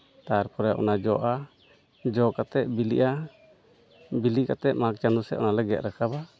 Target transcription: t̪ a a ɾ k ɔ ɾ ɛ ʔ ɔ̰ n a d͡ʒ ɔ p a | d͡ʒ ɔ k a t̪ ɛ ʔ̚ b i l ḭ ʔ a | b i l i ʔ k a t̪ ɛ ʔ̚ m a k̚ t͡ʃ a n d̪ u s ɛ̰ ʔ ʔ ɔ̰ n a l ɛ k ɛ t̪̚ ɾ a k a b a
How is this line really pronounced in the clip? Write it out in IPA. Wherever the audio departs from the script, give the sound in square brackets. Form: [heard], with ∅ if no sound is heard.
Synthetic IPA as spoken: t̪ a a ɾ [p] ɔ ɾ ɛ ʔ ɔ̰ n a d͡ʒ ɔ [ʔ] a | d͡ʒ ɔ k a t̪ ɛ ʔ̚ b i l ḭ ʔ a | b i l i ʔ k a t̪ ɛ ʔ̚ m a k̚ t͡ʃ a n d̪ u s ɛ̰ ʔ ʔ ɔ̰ n a l ɛ [ɡ] ɛ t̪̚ ɾ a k a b a